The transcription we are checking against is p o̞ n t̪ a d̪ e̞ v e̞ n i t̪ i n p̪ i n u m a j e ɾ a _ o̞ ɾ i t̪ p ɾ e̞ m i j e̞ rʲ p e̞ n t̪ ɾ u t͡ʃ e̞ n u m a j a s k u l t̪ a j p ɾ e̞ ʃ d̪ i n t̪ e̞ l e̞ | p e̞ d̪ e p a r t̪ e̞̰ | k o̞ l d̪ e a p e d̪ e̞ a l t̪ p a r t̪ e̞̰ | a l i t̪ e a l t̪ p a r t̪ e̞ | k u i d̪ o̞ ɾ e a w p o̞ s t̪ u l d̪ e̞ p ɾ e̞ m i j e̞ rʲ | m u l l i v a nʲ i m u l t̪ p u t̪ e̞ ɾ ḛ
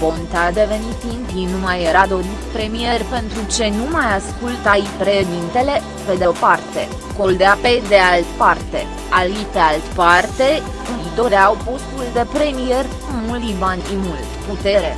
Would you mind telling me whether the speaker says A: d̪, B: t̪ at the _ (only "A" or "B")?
A